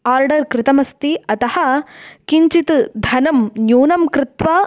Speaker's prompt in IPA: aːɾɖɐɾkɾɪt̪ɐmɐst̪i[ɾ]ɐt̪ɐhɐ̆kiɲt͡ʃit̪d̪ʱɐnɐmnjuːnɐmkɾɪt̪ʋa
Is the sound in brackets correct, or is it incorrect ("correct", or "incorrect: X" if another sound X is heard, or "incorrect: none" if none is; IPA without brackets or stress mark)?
incorrect: none